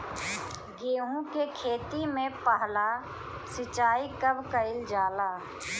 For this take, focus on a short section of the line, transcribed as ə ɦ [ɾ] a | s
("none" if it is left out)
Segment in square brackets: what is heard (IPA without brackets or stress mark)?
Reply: l